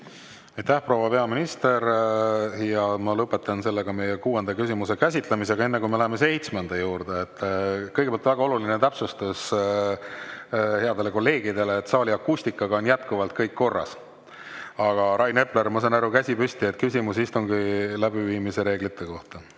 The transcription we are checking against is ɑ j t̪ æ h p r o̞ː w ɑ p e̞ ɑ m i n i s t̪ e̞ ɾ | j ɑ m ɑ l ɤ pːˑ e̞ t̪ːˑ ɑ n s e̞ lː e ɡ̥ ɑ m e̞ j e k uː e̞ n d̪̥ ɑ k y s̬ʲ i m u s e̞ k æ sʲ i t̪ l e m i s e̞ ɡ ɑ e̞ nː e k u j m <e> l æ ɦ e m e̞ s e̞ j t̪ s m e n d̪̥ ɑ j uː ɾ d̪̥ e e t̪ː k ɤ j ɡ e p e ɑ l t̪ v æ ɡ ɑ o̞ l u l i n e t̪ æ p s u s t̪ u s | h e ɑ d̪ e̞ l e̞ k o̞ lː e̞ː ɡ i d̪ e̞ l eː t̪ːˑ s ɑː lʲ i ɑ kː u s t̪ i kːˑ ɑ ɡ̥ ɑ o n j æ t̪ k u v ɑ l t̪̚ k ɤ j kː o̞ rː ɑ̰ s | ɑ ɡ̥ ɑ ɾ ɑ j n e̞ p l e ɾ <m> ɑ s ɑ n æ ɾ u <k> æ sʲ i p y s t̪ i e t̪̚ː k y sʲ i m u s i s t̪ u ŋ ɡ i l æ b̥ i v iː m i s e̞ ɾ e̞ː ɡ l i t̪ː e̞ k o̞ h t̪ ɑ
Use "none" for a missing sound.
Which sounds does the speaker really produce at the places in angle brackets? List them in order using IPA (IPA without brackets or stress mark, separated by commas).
e, m, k